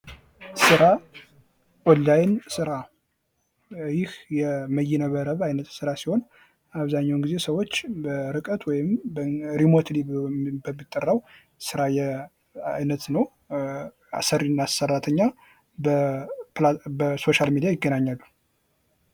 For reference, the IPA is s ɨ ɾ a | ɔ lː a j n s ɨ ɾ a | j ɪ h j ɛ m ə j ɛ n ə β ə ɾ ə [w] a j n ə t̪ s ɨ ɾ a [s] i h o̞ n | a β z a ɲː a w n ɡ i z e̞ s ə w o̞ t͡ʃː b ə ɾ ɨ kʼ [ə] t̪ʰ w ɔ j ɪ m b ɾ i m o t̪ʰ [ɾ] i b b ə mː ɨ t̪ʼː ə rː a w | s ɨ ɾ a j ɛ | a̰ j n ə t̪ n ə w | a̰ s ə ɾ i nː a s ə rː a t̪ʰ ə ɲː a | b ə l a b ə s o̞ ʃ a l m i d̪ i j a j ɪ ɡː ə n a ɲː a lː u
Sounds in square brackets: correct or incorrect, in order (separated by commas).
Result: incorrect, correct, correct, incorrect